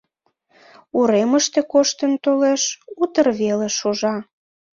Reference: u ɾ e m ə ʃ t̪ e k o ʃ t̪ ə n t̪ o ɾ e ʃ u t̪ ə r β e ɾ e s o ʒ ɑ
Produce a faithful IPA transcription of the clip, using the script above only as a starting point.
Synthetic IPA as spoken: u ɾ e m ə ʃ t̪ e k o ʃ t̪ ə n t̪ o l e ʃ u t̪ ə r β e l e ʃ o ʒ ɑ

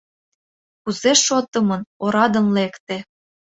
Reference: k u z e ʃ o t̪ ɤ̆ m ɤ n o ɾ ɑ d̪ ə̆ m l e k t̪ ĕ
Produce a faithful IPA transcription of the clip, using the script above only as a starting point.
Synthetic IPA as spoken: k u z e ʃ o t̪ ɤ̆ m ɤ n o ɾ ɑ d̪ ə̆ n l e k t̪ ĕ

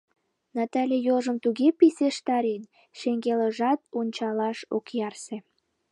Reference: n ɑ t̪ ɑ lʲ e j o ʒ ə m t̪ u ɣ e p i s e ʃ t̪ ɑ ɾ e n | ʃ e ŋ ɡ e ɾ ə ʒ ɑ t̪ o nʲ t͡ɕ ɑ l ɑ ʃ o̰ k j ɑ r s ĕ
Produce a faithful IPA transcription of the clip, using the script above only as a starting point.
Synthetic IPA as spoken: n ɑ t̪ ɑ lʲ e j o ʒ ə m t̪ u ɣ e p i s e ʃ t̪ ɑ ɾ e n | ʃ e ŋ ɡ e l ə ʒ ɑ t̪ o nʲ t͡ɕ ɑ l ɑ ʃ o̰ k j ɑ r s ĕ

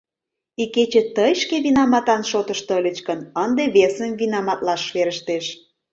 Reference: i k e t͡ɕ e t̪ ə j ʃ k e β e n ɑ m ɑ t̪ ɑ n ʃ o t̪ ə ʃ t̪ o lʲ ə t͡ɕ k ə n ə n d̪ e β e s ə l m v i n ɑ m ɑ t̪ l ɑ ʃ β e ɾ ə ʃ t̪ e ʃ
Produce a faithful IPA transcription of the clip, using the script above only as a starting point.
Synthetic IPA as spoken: i k e t͡ɕ e t̪ ə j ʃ k e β i n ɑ m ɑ t̪ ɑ n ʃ o t̪ ə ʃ t̪ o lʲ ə t͡ɕ k ə n ə n d̪ e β e s ə m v i n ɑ m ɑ t̪ l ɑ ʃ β e ɾ ə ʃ t̪ e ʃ

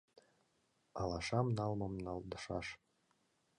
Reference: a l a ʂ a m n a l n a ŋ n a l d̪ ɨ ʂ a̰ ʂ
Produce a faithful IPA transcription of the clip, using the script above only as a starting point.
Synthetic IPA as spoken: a l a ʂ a m n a l m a m n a l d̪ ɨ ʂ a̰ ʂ

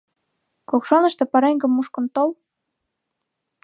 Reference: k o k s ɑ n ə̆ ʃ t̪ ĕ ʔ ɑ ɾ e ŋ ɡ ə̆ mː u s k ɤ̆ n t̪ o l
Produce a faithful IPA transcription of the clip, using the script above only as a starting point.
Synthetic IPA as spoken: k o k ʃ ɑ n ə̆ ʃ t̪ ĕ p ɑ ɾ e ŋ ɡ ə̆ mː u ʃ k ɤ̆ n t̪ o l

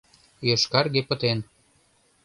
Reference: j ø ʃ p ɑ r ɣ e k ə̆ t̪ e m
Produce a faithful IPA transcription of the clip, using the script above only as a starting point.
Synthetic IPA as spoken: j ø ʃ k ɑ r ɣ e p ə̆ t̪ e n

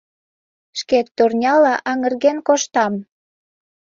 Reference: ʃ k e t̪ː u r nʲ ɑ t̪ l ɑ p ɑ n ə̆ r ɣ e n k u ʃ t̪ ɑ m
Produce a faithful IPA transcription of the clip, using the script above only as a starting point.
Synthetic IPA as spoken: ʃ k e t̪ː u r nʲ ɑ l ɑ ʔ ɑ ŋ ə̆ r ɣ e n k o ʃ t̪ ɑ m

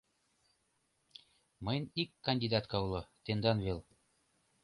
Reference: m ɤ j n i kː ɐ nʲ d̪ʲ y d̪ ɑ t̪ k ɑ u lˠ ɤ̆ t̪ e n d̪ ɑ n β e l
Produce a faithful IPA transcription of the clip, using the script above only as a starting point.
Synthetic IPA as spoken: m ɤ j n i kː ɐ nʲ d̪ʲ i d̪ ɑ t̪ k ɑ u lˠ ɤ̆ t̪ e n d̪ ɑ n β e l

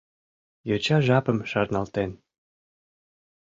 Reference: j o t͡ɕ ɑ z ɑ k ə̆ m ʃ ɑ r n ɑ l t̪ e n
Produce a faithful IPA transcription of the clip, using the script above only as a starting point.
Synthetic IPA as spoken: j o t͡ɕ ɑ ʒ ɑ p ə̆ m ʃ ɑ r n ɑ l t̪ e n

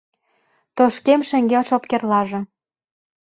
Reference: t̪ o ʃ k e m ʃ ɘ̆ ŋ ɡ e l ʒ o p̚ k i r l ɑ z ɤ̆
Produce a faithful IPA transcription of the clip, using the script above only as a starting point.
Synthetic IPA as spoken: t̪ o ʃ k e m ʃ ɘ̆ ŋ ɡ e l ʃ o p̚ k e r l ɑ ʒ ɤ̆

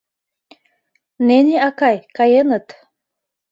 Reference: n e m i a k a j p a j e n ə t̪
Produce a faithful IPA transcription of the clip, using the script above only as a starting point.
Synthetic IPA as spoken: n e n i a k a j k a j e n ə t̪

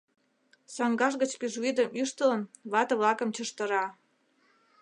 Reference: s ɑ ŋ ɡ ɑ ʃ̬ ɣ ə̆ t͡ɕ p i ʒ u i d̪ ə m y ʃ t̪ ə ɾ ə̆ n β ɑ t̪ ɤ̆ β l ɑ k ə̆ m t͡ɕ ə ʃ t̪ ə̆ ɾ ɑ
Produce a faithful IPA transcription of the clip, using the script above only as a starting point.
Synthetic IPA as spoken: s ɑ ŋ ɡ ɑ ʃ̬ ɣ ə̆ t͡ɕ p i ʒ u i d̪ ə m y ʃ t̪ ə l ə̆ n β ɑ t̪ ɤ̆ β l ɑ k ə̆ m t͡ɕ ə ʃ t̪ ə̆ ɾ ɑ

